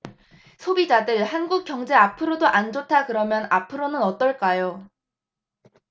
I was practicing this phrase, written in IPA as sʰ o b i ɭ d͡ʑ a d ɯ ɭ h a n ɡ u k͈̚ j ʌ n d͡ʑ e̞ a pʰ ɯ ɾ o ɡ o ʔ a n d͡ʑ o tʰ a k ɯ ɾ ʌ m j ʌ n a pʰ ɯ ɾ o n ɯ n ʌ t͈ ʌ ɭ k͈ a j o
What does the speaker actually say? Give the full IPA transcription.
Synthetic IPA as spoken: sʰ o b i d͡ʑ a d ɯ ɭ h a n ɡ u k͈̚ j ʌ ŋ d͡ʑ e̞ a pʰ ɯ ɾ o d o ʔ a n d͡ʑ o tʰ a k ɯ ɾ ʌ m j ʌ n a pʰ ɯ ɾ o n ɯ n ʌ t͈ ʌ ɭ k͈ a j o